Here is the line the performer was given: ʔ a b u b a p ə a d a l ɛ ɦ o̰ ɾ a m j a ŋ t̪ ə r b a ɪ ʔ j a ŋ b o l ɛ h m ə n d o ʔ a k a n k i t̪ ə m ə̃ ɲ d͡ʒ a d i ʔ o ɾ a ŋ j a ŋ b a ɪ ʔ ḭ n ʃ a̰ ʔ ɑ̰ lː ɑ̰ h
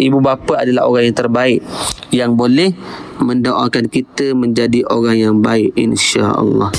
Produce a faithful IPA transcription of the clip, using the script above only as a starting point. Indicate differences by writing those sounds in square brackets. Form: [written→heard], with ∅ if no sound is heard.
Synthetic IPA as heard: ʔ [a→i] b u b a p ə a d a l [ɛ→a] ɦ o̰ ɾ a [m→ŋ] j a ŋ t̪ ə r b a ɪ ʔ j a ŋ b o l ɛ h m ə n d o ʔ a k a n k i t̪ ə m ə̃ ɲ d͡ʒ a d i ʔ o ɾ a ŋ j a ŋ b a ɪ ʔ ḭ n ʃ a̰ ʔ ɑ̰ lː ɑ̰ h